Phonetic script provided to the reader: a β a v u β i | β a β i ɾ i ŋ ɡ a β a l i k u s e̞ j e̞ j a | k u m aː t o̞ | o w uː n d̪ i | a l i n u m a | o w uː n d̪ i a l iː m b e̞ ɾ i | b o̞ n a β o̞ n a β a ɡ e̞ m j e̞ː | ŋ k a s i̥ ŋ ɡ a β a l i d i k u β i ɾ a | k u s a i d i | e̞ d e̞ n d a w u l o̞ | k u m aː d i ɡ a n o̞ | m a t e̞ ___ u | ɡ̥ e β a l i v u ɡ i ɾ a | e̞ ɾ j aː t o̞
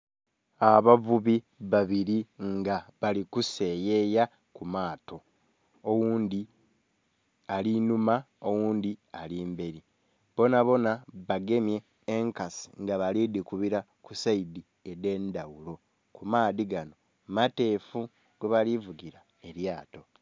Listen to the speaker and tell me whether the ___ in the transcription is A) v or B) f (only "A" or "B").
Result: B